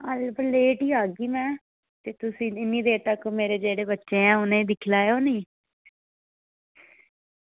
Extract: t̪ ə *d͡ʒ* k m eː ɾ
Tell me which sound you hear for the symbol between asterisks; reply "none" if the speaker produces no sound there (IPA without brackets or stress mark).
none